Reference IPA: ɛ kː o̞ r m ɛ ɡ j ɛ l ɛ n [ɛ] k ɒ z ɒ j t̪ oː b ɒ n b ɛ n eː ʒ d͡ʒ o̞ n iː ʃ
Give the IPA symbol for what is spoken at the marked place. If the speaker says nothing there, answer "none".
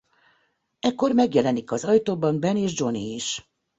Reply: i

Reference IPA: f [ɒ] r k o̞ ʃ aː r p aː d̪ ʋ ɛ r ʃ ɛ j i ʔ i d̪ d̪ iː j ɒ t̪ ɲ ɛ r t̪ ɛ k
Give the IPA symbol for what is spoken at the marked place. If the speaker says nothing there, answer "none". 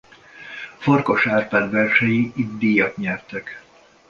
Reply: o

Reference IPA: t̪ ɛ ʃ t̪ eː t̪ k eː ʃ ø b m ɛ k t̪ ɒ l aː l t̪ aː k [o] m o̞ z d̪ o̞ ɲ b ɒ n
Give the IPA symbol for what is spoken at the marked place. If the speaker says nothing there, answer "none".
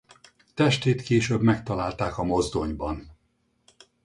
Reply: ɒ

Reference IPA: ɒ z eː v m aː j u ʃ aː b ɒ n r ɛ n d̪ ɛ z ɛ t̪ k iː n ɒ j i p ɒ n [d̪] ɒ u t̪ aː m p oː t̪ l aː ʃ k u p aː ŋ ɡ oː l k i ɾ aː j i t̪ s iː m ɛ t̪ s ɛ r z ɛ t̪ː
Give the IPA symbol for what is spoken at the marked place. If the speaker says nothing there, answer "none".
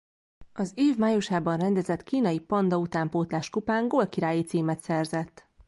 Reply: d̪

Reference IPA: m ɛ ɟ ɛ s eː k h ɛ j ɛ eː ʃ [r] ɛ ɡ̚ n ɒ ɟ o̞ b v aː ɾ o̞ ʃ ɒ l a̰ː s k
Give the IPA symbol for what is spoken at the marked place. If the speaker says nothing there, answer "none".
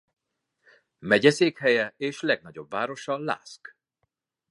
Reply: l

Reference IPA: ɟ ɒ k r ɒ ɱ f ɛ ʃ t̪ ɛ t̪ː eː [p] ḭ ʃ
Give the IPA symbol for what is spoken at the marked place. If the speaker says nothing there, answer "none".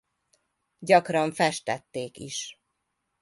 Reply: k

